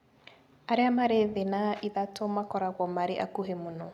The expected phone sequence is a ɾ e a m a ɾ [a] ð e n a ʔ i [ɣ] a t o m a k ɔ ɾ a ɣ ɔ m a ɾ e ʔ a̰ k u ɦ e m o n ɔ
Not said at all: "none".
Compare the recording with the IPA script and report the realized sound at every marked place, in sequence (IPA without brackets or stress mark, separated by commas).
e, ð